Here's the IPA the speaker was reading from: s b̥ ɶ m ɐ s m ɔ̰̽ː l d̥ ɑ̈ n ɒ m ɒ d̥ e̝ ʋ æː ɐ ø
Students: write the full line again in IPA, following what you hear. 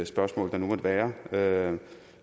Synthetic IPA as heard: s b̥ ɶ ɐ s m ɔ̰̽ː l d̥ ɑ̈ n u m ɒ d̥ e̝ ʋ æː ɐ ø